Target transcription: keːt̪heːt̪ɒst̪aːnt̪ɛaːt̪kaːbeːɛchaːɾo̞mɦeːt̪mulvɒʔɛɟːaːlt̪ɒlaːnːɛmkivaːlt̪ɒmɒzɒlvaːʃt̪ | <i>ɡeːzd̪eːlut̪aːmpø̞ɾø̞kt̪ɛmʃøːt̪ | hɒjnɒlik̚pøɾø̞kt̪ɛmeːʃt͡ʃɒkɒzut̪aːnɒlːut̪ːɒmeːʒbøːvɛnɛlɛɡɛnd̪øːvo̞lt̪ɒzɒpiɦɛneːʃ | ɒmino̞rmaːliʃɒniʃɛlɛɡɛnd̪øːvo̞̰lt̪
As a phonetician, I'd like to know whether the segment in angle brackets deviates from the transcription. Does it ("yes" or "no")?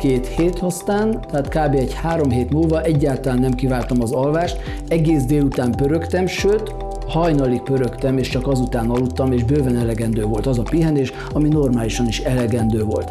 yes